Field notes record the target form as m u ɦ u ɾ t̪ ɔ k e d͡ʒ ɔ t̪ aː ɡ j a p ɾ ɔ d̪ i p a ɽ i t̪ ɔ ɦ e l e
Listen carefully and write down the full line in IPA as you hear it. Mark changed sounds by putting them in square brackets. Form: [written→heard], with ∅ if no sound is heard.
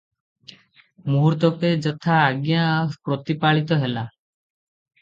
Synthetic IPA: m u ɦ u ɾ t̪ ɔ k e d͡ʒ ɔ [t̪→t̪ʰ] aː ɡ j a p ɾ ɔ [d̪→t̪] i p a [ɽ→ɭ] i t̪ ɔ ɦ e l [e→a]